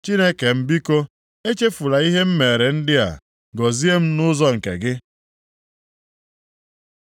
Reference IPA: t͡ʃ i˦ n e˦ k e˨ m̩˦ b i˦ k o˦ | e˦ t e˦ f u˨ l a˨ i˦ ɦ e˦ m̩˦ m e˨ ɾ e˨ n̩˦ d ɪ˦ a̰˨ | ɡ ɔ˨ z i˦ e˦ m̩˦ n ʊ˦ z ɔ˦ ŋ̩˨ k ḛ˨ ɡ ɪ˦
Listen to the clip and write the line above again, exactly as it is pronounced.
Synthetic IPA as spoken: t͡ʃ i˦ n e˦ k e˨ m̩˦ b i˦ k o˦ | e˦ t͡ʃ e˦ f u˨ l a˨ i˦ ɦ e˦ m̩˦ m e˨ ɾ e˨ n̩˦ d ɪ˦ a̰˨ | ɡ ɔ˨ z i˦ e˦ m̩˦ n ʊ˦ z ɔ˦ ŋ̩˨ k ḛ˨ ɡ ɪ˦